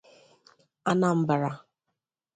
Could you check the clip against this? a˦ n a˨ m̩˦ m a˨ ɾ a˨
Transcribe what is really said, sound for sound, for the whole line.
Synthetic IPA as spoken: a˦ n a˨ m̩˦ b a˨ ɾ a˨